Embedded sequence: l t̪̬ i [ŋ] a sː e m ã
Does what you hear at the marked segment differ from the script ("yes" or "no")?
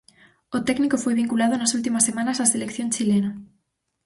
yes